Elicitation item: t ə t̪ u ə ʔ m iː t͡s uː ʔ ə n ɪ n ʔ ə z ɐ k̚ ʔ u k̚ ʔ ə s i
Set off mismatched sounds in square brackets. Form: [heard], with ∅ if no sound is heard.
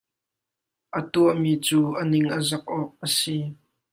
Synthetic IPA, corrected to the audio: [ʔ] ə t̪ u ə ʔ m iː t͡s uː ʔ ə n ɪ [ŋ] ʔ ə z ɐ k̚ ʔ [ɔ] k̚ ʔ ə s i